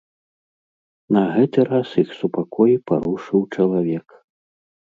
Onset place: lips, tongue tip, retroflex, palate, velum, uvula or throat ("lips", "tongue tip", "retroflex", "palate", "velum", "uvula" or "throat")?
tongue tip